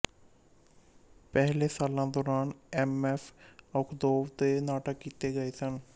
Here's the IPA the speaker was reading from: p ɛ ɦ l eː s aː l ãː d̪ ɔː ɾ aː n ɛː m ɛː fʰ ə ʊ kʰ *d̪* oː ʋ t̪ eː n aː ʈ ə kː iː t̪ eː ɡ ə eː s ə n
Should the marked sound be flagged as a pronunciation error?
no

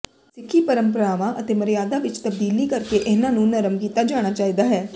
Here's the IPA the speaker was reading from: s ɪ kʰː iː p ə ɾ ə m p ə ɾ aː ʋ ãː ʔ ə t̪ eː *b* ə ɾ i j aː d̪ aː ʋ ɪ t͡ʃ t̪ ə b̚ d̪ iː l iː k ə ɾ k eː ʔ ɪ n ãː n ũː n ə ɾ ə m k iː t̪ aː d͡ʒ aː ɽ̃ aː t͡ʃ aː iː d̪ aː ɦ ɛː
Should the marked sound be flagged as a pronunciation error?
yes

